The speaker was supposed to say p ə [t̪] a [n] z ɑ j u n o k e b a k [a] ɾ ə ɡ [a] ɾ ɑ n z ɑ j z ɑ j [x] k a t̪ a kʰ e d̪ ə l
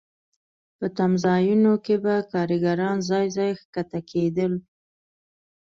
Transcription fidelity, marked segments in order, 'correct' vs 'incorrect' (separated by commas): correct, incorrect, incorrect, correct, correct